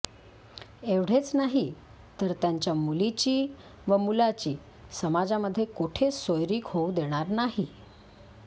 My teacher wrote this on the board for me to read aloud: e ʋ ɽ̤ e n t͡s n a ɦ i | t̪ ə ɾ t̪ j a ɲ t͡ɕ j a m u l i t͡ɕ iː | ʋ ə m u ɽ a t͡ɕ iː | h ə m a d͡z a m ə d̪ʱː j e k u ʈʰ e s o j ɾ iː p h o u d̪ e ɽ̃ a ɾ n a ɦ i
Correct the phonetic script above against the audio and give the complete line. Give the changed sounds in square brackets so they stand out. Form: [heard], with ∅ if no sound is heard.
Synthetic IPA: e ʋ ɽ̤ e [∅] t͡s n a ɦ i | t̪ ə ɾ t̪ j a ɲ t͡ɕ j a m u l i t͡ɕ iː | ʋ ə m u [l] a t͡ɕ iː | [s] ə m a d͡z a m ə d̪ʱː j e k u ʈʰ e s o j ɾ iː [k] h o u d̪ e ɽ̃ a ɾ n a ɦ i